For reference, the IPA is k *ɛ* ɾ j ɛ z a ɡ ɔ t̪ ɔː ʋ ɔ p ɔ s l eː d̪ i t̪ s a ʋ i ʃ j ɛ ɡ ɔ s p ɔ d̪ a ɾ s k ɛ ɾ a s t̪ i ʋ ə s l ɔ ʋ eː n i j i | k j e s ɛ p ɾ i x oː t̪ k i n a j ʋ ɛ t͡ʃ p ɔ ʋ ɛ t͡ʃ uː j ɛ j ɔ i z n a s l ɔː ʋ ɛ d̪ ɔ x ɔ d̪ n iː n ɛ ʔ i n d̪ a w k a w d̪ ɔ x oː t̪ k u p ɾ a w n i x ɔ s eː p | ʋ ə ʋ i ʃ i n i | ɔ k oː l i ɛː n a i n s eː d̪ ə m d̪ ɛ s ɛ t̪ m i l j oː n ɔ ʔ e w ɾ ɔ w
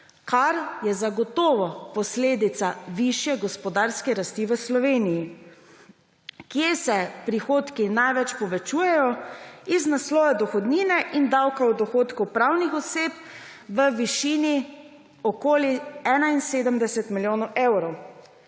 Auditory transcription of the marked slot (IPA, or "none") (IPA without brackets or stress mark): a